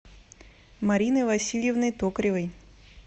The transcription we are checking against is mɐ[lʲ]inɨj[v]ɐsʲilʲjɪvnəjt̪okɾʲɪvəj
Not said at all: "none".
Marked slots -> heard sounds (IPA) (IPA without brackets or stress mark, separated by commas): ɾʲ, v